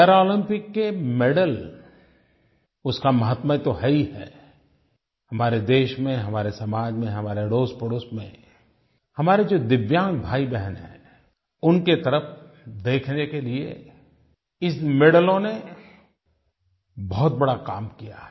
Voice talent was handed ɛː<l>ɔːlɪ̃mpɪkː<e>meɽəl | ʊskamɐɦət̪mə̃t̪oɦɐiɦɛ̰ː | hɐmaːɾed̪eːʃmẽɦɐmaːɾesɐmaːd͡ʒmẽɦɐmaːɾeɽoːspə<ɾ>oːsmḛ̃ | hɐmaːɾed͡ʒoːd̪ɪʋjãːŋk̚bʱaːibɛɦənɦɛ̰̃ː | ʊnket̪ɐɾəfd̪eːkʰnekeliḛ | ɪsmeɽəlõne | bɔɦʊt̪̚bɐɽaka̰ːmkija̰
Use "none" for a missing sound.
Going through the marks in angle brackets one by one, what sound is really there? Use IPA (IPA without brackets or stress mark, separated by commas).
ɾ, e, ɽ